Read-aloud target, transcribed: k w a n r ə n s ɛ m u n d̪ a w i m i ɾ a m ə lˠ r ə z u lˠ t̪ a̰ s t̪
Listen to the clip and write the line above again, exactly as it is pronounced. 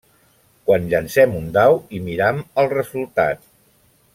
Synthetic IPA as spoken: k w a n ʎ ə n s ɛ m u n d̪ a w i m i ɾ a m ə lˠ r ə z u lˠ t̪ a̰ t̪